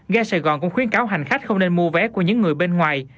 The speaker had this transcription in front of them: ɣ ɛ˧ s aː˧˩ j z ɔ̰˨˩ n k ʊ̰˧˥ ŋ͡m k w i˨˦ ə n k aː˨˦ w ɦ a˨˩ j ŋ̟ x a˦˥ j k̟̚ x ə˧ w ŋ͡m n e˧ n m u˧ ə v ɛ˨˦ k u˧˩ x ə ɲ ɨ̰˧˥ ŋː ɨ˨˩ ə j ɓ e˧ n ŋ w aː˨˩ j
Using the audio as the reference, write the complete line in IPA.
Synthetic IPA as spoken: ɣ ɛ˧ s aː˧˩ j ɣ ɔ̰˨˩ n k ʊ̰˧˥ ŋ͡m x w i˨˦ ə n k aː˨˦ w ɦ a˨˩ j ŋ̟ x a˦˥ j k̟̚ x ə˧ w ŋ͡m n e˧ n m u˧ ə v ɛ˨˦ k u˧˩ ə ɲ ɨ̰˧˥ ŋː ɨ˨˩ ə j ɓ e˧ n ŋ w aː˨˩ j